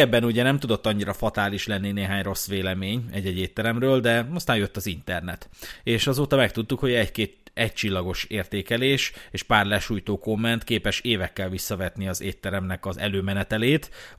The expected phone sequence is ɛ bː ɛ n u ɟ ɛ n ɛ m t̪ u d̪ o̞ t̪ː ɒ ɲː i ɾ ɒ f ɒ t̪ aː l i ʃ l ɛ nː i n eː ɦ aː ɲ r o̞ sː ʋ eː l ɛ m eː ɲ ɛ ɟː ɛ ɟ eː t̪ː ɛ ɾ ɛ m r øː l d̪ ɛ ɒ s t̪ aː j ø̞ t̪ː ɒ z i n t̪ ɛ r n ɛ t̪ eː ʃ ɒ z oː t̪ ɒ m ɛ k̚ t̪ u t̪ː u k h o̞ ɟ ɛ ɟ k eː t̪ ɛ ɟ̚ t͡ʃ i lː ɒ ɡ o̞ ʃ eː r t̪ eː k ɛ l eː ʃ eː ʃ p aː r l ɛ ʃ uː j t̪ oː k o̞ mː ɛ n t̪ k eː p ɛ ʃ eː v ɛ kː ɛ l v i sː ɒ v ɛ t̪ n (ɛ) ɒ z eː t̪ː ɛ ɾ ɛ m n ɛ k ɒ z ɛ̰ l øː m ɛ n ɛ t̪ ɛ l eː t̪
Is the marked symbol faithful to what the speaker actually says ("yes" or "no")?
no